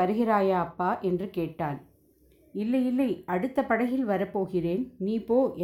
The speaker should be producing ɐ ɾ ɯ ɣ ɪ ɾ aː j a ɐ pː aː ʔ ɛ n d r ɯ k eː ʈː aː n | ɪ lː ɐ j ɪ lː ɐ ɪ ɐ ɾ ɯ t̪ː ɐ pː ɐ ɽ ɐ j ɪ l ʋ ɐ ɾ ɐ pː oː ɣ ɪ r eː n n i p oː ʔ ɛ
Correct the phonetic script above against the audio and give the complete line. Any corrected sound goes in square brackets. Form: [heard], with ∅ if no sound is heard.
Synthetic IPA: ɐ ɾ ɯ ɣ ɪ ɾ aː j a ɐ pː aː ʔ ɛ n d r ɯ k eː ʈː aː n | ɪ lː ɐ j ɪ lː ɐ ɪ ɐ [ɽ] ɯ t̪ː ɐ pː ɐ ɽ ɐ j ɪ l ʋ ɐ ɾ ɐ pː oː ɣ ɪ r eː n n [iː] p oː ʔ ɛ